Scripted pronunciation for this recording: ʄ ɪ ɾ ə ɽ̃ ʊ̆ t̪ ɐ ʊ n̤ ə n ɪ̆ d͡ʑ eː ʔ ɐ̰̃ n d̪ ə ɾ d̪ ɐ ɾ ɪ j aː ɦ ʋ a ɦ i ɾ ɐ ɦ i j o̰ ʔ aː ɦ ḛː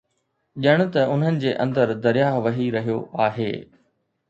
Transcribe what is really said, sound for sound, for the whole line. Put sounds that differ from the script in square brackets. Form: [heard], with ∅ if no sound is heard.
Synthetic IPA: ʄ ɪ [∅] ə ɽ̃ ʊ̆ t̪ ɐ ʊ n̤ ə n ɪ̆ d͡ʑ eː ʔ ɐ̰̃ n d̪ ə ɾ d̪ ɐ ɾ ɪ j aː ɦ ʋ [ɐ] ɦ i ɾ ɐ ɦ i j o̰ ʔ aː ɦ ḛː